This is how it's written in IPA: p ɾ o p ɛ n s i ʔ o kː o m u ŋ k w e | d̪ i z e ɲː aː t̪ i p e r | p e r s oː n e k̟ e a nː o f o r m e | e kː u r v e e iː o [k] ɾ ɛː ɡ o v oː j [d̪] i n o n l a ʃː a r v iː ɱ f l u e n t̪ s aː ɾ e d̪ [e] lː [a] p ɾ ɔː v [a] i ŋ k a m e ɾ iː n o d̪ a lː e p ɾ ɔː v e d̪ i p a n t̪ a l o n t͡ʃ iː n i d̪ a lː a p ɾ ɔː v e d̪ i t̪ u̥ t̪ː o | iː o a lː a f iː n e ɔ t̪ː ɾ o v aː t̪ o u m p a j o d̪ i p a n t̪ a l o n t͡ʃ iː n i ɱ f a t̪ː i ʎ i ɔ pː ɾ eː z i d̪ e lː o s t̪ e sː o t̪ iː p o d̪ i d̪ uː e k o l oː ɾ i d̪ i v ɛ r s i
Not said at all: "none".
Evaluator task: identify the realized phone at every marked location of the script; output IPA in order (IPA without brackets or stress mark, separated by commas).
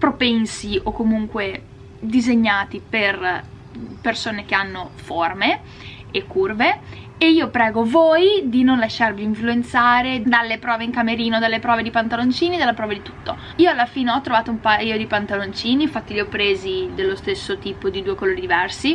p, d̪, a, e, e